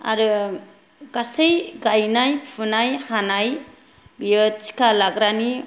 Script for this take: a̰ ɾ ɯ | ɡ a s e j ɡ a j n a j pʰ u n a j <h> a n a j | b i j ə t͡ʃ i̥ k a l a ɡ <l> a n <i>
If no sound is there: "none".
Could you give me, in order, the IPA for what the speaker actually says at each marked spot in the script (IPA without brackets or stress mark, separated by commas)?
h, ɾ, i